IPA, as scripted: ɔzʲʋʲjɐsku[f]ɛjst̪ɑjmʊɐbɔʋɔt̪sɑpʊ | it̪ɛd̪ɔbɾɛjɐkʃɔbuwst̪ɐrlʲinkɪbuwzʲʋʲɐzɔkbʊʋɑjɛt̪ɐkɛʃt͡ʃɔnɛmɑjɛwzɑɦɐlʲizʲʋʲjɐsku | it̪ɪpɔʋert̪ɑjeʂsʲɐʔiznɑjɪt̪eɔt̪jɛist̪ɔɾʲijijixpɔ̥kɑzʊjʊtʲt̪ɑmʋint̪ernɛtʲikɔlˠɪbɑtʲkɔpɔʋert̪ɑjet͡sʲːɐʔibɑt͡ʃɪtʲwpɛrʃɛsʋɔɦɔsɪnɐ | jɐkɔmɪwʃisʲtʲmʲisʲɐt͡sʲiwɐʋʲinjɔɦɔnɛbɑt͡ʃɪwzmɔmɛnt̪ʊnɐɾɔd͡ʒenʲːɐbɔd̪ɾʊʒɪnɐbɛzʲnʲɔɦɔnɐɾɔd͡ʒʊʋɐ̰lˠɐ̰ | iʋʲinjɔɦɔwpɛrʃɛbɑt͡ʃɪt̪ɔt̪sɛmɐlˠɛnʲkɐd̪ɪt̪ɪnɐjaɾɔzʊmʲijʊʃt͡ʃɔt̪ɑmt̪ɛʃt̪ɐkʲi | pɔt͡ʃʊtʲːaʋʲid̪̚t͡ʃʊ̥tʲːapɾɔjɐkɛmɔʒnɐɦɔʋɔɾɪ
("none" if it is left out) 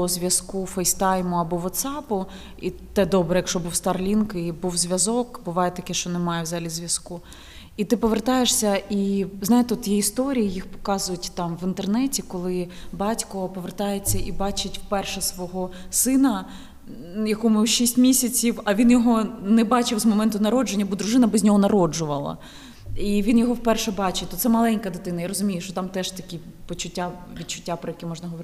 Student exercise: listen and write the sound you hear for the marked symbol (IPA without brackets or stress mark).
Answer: f